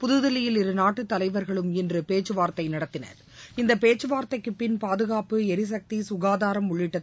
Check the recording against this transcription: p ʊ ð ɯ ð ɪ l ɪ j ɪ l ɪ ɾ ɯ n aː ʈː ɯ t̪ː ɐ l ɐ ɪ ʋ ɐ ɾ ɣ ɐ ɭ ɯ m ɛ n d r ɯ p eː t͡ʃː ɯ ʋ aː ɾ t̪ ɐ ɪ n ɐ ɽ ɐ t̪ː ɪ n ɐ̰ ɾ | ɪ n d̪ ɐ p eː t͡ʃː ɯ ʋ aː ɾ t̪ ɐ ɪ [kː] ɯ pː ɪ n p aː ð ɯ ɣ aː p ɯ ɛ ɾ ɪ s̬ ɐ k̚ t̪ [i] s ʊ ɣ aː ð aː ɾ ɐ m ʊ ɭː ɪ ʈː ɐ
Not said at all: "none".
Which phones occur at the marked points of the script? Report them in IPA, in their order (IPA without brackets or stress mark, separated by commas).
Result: kː, i